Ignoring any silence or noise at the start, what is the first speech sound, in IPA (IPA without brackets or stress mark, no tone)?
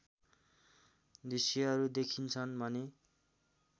d̪